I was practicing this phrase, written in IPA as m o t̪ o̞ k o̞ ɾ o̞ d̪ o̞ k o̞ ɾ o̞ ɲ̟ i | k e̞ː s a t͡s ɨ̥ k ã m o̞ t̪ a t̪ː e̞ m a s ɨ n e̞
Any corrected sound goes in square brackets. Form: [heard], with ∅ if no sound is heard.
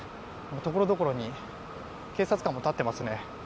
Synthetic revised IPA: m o t̪ o̞ k o̞ ɾ o̞ d̪ o̞ k o̞ ɾ o̞ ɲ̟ i | k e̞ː s a t͡s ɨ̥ k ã m o̞ t̪ a t̪ː e̞ m a s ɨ n e̞